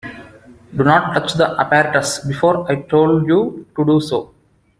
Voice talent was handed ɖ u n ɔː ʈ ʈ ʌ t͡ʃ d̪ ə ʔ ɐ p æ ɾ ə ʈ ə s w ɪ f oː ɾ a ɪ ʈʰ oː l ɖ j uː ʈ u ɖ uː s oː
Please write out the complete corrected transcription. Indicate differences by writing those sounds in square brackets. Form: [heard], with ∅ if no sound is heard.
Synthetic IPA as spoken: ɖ u n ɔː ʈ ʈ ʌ t͡ʃ d̪ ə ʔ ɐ p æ ɾ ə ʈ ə s [b] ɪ f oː ɾ a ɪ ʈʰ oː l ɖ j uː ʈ u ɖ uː s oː